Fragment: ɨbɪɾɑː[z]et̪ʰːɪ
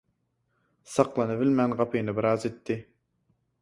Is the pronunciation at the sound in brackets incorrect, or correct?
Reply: correct